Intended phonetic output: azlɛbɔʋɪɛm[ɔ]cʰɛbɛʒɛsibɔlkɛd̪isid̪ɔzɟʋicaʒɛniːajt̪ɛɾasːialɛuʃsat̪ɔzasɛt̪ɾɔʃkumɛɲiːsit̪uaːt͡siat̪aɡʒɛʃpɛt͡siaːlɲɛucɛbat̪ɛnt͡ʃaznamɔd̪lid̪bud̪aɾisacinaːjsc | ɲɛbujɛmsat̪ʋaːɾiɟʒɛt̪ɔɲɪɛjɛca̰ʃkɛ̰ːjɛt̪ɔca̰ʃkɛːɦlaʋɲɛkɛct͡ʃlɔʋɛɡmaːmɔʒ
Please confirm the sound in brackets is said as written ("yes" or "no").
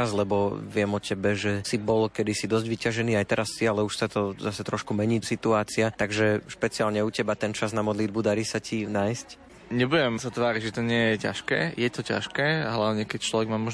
yes